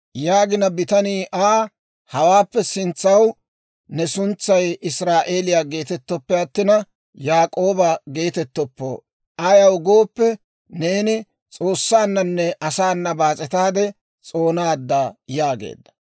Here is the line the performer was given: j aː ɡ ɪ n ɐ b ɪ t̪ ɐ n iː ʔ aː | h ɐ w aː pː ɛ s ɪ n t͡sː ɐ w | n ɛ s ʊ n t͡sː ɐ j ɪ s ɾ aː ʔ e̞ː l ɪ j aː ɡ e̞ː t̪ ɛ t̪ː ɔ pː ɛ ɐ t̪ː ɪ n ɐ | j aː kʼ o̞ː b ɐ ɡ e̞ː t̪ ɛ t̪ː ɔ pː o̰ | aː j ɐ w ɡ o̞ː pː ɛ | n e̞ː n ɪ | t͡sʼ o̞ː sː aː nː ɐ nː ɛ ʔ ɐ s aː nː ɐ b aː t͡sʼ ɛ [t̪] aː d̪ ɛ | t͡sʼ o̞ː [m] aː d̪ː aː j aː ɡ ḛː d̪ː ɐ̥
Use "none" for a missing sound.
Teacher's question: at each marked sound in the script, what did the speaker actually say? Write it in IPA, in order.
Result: t̪, n

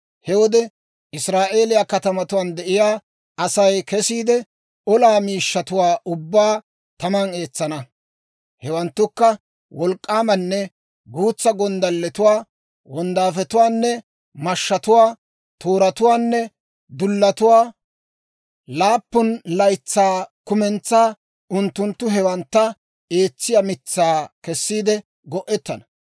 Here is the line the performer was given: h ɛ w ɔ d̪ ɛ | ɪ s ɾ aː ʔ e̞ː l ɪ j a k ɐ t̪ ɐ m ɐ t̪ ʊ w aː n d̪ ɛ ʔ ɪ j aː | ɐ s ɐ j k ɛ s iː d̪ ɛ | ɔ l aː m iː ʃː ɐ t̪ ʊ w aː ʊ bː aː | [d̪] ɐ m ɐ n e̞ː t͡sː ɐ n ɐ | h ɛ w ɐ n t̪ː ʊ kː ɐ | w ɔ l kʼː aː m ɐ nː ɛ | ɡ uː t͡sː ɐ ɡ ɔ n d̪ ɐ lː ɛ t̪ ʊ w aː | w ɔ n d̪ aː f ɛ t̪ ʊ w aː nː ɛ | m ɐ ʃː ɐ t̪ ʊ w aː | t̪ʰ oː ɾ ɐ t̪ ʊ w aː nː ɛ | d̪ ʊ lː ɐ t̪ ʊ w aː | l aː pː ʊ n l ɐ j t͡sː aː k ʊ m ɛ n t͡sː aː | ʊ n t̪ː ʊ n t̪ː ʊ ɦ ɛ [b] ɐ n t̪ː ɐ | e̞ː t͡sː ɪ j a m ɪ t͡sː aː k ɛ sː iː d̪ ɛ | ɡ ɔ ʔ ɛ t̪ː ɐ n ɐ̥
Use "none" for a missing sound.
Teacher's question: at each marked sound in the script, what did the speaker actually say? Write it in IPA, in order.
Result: t̪, w

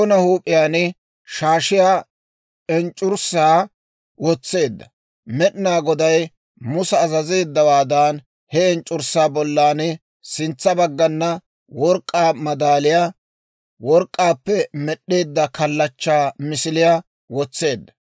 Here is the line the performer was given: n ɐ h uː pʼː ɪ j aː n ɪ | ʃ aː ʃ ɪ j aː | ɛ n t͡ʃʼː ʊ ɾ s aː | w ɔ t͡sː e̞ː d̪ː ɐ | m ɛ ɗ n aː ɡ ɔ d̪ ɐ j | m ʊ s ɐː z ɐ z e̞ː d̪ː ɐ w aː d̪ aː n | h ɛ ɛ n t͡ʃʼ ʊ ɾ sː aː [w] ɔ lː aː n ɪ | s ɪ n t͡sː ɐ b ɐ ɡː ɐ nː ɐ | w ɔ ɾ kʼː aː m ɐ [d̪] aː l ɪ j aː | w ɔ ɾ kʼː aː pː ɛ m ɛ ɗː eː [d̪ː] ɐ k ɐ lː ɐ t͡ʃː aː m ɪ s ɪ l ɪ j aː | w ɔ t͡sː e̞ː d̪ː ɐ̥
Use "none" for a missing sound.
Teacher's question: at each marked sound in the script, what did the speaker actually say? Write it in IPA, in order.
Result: b, d̪, d̪ː

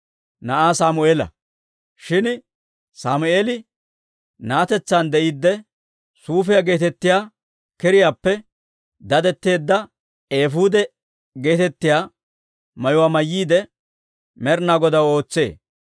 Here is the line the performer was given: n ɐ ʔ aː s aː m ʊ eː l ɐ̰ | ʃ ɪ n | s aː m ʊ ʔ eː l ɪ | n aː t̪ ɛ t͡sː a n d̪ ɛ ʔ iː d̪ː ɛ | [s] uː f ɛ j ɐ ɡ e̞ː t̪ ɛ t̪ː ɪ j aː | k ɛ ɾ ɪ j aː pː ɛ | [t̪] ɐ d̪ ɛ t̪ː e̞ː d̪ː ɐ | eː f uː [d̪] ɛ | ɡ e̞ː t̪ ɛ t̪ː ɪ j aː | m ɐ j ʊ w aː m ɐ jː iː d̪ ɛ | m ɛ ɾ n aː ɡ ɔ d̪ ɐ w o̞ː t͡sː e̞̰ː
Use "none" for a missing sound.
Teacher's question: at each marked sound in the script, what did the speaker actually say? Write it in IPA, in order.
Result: s, d̪, d̪

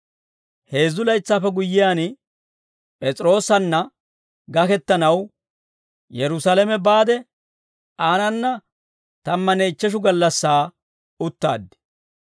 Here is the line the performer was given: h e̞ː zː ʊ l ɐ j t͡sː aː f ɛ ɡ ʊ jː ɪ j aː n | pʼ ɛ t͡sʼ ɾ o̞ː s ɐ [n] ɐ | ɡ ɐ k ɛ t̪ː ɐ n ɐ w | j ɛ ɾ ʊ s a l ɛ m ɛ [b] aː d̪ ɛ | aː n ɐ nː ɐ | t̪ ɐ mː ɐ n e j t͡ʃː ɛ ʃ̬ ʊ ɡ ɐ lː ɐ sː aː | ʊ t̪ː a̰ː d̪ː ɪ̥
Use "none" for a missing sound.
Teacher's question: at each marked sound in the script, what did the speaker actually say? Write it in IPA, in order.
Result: nː, b

